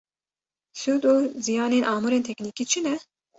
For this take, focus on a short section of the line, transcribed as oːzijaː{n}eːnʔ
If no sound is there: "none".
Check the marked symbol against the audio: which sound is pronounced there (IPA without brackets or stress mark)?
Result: n